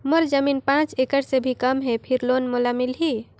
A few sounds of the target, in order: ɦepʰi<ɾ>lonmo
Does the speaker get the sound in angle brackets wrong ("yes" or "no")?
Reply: no